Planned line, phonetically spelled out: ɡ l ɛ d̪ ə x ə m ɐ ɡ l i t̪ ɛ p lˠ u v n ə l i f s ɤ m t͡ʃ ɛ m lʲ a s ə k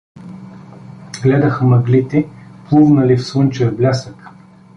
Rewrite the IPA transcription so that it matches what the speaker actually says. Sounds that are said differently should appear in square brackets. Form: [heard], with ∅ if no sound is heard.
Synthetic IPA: ɡ l ɛ d̪ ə x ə m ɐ ɡ l i t̪ ɛ p lˠ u v n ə l i f s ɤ [n] t͡ʃ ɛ [b] lʲ a s ə k